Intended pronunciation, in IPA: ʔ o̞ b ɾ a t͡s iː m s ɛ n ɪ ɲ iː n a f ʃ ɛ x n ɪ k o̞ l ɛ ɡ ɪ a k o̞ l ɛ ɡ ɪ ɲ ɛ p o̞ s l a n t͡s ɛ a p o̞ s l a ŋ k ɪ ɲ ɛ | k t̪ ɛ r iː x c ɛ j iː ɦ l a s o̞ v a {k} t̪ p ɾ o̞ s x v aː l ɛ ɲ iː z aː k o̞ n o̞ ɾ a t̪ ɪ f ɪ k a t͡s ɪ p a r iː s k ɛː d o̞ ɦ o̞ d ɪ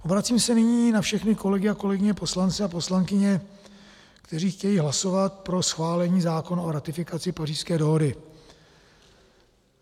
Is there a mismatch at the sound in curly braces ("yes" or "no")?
yes